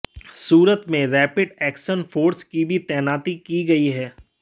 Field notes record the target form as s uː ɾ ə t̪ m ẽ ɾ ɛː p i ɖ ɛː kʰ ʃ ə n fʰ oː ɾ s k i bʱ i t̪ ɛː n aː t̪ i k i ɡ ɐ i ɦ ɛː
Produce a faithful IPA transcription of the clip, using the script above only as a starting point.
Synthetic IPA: s uː ɾ ə t̪ m ẽ ɾ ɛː p ɪ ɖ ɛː k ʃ ə n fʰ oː ɾ s k i bʱ i t̪ ɛː n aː t̪ i k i ɡ ɐ i ɦ ɛː